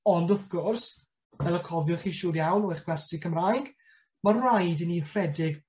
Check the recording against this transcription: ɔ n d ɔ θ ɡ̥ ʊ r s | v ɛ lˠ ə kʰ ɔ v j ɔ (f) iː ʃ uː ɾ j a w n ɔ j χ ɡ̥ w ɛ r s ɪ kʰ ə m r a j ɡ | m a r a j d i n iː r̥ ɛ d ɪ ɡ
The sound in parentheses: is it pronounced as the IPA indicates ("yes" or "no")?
no